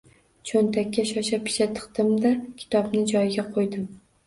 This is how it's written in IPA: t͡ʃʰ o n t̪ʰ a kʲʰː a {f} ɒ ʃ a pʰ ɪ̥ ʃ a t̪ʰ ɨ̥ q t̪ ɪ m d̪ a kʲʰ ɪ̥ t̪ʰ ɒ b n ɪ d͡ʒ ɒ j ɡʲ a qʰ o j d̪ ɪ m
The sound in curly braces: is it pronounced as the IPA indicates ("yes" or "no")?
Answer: no